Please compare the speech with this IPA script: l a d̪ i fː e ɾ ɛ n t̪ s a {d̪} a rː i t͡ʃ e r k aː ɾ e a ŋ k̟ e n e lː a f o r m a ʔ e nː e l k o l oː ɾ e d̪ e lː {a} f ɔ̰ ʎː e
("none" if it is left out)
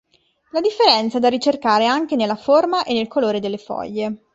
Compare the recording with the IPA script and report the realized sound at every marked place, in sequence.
d̪, e

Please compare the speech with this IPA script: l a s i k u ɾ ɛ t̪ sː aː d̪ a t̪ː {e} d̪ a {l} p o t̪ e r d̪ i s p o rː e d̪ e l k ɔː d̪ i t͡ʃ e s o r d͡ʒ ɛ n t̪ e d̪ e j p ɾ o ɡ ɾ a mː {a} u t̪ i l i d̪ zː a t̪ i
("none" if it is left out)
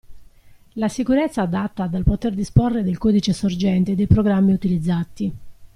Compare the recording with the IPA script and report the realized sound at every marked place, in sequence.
a, l, i

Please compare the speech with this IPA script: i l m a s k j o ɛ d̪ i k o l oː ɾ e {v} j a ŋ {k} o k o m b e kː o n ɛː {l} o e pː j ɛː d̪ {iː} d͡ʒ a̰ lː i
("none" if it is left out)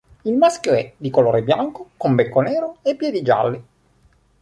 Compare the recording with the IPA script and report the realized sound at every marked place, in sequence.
b, k, ɾ, i

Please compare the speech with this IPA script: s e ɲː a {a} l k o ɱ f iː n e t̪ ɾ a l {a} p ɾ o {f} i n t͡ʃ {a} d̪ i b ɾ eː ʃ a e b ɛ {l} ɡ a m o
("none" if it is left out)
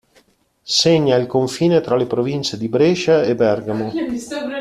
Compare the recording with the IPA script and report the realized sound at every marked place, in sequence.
i, e, v, e, r

